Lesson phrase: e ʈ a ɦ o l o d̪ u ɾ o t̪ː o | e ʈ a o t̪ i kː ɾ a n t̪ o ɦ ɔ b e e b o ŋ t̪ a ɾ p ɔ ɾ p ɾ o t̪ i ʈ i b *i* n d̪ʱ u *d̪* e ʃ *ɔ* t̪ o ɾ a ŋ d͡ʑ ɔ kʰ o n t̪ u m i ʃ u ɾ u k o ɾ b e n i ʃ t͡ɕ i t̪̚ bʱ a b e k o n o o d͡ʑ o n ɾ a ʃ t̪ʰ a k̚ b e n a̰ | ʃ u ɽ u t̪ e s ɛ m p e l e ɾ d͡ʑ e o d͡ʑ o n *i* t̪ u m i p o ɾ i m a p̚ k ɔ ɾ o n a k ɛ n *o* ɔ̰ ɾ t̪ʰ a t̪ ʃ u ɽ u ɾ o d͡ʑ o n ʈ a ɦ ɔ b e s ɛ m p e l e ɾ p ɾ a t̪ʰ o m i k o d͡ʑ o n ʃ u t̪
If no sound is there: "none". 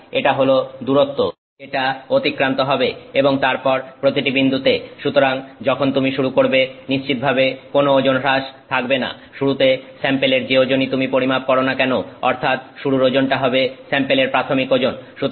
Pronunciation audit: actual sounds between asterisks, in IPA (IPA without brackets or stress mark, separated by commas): i, t̪, u, i, o